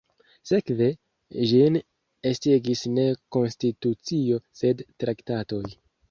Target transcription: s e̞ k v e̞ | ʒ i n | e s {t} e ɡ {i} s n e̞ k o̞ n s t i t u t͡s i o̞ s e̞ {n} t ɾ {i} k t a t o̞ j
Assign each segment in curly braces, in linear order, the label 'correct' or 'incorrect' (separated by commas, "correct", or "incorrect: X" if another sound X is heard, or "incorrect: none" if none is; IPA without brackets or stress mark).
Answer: correct, correct, incorrect: d, incorrect: a